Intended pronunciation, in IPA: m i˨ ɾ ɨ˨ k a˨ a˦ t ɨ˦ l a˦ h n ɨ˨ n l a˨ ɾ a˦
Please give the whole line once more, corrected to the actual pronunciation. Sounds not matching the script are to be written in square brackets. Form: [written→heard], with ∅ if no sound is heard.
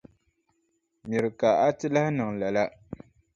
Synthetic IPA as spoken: m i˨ ɾ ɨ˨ k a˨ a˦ t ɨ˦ l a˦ h n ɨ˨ [n→ŋ] l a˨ [ɾ→l] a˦